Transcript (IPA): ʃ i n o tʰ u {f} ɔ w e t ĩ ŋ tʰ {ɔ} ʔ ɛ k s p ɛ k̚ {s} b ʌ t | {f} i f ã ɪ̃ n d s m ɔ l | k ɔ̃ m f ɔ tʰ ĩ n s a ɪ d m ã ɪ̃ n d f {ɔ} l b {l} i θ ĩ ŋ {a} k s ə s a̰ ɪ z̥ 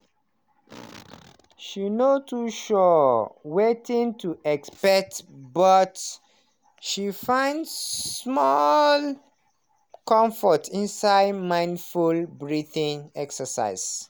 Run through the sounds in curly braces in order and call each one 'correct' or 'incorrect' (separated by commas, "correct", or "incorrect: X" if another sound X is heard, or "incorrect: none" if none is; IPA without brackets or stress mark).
incorrect: ʃ, incorrect: u, incorrect: t, incorrect: ʃ, incorrect: u, incorrect: ɹ, incorrect: ɛ